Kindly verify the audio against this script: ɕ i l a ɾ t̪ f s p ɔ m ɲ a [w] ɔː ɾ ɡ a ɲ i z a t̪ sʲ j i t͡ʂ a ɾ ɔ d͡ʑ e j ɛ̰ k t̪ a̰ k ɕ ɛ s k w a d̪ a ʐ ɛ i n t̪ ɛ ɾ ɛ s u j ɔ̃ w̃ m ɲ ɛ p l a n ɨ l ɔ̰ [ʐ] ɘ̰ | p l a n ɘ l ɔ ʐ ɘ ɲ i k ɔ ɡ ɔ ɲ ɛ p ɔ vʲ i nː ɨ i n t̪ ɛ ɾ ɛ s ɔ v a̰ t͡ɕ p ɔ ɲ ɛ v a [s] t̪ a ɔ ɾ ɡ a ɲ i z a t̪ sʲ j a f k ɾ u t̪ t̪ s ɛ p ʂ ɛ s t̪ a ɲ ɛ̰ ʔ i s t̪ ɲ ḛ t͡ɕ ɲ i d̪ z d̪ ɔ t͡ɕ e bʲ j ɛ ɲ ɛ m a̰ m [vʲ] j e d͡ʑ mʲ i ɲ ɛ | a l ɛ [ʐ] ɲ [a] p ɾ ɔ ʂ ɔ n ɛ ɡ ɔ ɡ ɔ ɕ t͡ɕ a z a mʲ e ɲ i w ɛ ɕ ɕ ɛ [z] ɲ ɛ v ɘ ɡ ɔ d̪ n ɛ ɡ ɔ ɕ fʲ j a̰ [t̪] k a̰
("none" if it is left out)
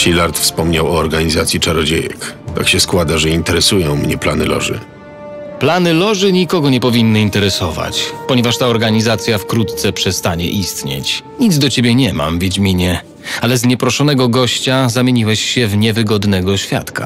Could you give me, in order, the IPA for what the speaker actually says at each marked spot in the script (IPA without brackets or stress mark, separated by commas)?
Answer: w, ʐ, ʂ, vʲ, z, ɛ, v, t̪